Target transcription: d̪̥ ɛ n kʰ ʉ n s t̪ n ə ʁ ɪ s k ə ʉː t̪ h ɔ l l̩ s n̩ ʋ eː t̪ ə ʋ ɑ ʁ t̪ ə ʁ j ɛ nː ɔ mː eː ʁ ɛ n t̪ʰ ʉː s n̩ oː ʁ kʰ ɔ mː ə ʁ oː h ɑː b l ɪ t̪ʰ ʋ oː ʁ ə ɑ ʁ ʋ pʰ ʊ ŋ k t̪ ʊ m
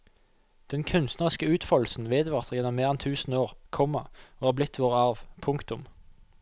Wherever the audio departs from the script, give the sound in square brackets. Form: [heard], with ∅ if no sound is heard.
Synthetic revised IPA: d̪̥ ɛ n kʰ ʉ n s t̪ n ə ʁ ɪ s k ə ʉː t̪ [f] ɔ l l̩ s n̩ ʋ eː [d̪] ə ʋ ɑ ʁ t̪ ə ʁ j ɛ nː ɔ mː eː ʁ ɛ n t̪ʰ ʉː s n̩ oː ʁ kʰ ɔ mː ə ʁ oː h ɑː b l ɪ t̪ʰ ʋ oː ʁ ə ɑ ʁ ʋ pʰ ʊ ŋ k t̪ ʊ m